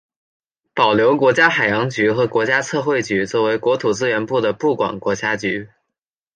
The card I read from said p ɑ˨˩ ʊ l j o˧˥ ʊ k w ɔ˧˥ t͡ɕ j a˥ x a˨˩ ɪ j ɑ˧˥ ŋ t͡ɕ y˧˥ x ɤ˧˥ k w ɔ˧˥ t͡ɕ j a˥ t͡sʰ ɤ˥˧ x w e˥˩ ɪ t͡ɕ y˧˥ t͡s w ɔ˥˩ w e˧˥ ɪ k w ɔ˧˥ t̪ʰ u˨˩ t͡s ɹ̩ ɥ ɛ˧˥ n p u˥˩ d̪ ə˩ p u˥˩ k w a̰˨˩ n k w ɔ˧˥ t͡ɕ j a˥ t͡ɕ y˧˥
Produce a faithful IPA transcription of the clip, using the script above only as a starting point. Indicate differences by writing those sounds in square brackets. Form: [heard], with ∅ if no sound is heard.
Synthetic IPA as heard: p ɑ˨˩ ʊ l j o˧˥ ʊ k w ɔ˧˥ t͡ɕ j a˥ x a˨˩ ɪ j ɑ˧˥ ŋ t͡ɕ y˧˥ x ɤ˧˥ k w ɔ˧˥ t͡ɕ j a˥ t͡sʰ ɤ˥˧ x w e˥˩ ɪ t͡ɕ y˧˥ t͡s w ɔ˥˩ w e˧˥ ɪ k w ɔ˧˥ t̪ʰ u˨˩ t͡s ɹ̩ ɥ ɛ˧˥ n p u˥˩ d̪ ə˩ p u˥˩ k w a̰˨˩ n k w ɔ˧˥ t͡ɕ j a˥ t͡ɕ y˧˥